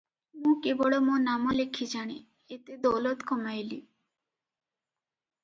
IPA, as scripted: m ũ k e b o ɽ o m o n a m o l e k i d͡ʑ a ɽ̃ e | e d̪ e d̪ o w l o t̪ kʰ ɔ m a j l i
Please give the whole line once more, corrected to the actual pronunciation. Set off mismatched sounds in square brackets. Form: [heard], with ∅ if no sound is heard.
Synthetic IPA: m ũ k e b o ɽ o m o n a m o l e [kʰ] i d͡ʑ a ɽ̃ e | e [t̪] e d̪ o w l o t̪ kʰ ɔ m a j l i